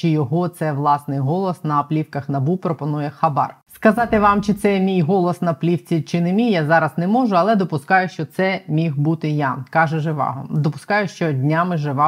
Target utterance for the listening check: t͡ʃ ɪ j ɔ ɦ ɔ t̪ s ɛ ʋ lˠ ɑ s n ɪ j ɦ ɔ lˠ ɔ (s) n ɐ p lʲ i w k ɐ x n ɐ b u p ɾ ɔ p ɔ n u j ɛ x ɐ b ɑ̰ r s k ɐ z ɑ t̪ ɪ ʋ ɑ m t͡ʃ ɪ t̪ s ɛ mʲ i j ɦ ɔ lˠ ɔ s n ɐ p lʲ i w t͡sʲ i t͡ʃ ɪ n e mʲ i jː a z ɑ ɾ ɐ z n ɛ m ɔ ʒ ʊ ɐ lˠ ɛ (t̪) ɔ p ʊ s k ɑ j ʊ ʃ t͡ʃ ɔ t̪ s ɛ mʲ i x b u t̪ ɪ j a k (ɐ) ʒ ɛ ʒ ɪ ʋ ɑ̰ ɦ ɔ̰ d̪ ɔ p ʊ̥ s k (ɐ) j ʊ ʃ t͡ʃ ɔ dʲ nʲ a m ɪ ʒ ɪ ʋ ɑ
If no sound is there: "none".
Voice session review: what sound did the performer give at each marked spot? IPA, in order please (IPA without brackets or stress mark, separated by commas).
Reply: s, d̪, ɑ, ɑ